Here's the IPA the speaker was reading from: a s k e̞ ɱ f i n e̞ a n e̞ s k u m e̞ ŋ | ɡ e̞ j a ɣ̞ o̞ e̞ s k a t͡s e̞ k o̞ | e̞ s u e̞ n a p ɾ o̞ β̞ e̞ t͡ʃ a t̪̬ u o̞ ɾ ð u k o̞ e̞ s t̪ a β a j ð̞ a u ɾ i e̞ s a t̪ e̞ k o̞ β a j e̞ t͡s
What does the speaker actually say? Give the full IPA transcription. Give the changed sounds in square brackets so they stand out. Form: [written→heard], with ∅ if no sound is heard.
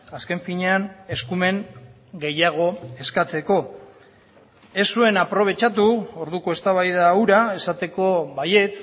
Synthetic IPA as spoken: a s k e̞ ɱ f i [n→ɲ] e̞ a n e̞ s k u m e̞ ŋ | ɡ e̞ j a ɣ̞ o̞ e̞ s k a t͡s e̞ k o̞ | e̞ s u e̞ n a p ɾ o̞ β̞ e̞ t͡ʃ a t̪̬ u o̞ ɾ ð u k o̞ e̞ s t̪ a β a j ð̞ a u ɾ [i→a] e̞ s a t̪ e̞ k o̞ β a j e̞ t͡s